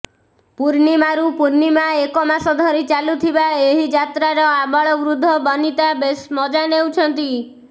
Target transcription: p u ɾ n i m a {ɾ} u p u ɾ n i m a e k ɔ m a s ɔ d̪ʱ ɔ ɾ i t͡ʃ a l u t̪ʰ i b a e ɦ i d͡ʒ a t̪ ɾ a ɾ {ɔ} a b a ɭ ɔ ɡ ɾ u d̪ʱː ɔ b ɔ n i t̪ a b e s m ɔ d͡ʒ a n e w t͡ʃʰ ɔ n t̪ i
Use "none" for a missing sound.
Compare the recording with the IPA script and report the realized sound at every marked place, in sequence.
ɾ, ɔ

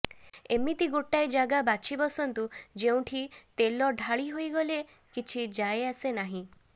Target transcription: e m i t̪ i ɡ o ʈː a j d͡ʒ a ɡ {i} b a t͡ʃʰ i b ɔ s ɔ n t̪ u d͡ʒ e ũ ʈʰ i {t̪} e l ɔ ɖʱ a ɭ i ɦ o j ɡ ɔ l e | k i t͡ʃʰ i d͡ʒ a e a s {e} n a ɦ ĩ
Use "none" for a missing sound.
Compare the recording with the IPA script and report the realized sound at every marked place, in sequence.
a, t̪, e

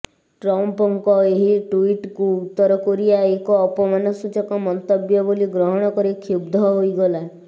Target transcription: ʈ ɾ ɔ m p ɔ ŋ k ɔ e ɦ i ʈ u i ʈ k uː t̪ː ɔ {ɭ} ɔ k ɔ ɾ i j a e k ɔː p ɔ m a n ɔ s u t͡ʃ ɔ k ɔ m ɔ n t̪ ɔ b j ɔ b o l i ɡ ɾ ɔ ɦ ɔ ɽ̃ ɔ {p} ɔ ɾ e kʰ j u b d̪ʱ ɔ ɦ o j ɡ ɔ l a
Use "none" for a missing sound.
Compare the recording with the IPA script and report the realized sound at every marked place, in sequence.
ɾ, k

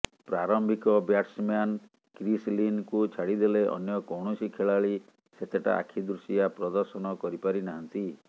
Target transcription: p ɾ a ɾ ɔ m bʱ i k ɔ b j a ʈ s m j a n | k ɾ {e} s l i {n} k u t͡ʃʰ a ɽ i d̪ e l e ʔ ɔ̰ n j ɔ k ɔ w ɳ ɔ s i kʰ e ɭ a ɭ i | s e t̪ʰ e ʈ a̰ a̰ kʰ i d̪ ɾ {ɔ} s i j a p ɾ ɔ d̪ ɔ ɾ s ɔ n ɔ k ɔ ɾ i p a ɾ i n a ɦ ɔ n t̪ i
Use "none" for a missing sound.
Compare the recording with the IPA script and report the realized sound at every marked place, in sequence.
i, n, u

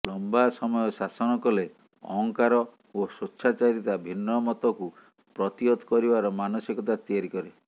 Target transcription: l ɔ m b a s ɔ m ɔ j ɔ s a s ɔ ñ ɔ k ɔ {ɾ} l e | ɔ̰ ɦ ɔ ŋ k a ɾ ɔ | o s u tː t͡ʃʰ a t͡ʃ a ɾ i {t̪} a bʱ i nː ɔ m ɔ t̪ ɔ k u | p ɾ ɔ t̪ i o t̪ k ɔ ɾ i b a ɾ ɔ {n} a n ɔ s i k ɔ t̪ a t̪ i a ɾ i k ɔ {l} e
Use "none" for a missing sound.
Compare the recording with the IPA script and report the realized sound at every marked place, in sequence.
none, t̪, m, ɾ

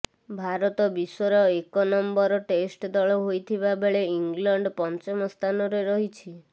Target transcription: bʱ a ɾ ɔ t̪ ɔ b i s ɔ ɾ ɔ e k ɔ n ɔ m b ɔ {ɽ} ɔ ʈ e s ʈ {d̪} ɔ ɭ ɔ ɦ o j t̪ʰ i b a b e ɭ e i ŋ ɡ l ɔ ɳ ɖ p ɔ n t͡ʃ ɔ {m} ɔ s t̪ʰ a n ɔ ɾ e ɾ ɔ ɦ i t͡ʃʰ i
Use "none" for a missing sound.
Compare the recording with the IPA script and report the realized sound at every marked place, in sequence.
ɾ, d̪, m

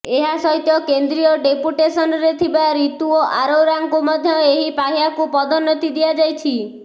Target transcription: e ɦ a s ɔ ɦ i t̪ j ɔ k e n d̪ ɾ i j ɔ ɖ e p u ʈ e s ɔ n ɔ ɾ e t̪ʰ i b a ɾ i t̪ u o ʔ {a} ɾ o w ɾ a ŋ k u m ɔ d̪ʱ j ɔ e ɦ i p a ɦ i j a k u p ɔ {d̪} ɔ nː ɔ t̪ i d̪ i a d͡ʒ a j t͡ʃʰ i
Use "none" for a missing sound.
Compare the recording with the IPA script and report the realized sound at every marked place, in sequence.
a, d̪

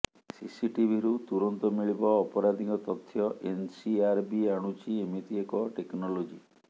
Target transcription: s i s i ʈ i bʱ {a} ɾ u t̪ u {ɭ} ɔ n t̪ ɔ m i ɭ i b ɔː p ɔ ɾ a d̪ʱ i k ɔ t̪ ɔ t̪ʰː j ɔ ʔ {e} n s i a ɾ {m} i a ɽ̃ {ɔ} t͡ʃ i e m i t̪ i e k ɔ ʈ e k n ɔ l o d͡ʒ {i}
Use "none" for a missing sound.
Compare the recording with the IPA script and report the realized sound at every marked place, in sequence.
i, ɾ, e, b, u, i

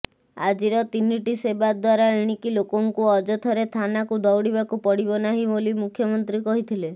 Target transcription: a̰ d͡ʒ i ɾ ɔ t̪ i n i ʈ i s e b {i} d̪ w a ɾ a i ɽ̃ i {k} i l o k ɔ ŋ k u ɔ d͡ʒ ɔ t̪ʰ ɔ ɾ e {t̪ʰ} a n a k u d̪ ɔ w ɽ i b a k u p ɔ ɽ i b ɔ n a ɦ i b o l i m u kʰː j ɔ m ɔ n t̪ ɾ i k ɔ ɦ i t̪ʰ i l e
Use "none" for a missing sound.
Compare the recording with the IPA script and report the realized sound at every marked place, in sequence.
a, k, t̪ʰ

